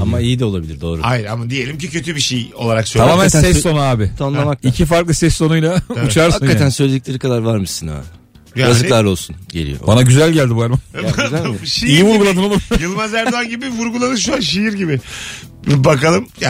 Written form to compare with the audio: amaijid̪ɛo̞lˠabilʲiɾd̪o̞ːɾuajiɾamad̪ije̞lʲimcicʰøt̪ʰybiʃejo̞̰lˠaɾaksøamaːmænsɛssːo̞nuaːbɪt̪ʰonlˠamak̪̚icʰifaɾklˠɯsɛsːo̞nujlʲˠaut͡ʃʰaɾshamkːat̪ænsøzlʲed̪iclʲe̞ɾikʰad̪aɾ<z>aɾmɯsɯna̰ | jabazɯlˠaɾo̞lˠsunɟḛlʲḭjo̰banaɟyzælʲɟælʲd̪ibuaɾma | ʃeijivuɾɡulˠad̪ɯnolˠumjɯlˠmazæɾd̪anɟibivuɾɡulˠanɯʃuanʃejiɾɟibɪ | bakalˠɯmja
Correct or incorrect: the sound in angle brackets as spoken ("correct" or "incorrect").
incorrect